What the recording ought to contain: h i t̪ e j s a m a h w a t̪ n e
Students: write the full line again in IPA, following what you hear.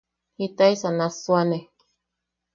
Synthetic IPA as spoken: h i t̪ a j s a n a s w a n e